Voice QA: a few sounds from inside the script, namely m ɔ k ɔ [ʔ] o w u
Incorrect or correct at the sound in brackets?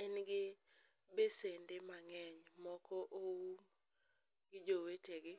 correct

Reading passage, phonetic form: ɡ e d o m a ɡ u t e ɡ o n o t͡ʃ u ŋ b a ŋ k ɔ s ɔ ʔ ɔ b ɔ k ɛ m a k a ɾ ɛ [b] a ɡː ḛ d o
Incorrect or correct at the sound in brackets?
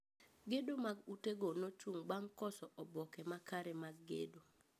incorrect: m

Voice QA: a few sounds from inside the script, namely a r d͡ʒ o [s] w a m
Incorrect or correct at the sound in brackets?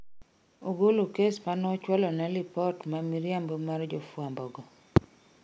incorrect: f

